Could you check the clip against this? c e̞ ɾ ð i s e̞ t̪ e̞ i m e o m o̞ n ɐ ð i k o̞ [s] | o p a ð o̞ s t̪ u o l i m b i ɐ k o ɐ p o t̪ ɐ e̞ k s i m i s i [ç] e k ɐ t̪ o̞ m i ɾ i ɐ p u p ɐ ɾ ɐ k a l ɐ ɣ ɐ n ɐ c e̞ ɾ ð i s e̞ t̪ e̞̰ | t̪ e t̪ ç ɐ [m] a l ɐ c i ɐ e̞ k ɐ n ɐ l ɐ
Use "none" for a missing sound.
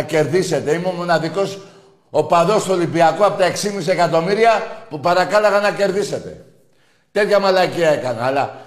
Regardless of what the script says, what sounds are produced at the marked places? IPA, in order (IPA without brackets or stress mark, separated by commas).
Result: s, none, m